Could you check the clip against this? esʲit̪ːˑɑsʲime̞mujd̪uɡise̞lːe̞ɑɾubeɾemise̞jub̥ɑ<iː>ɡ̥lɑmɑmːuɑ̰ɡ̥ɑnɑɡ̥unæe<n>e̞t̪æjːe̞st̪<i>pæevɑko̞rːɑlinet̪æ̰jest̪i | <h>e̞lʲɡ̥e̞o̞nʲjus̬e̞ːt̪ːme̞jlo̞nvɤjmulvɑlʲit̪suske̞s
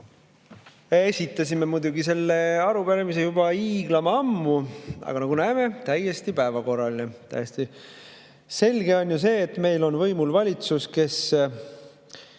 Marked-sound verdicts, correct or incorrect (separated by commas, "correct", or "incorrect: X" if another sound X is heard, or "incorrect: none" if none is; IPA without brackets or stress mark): correct, incorrect: m, correct, incorrect: s